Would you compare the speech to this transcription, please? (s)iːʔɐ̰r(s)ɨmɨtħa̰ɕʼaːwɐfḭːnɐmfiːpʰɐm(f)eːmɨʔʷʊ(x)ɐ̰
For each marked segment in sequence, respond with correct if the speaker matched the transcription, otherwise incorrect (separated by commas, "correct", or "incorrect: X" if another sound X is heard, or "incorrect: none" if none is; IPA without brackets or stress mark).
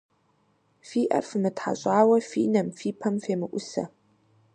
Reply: incorrect: f, incorrect: f, correct, incorrect: s